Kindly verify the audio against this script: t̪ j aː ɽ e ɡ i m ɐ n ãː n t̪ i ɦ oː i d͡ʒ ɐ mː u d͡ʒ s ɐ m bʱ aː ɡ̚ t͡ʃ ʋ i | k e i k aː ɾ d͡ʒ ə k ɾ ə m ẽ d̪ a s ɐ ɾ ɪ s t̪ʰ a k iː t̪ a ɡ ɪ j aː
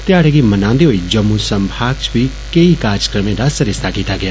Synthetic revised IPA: t̪ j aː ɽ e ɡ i m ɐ n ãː n d̪ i ɦ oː i d͡ʒ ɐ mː u s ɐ m bʱ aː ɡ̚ t͡ʃ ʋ i | k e i k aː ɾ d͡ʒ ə k ɾ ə m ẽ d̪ a s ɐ ɾ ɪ s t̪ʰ a k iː t̪ a ɡ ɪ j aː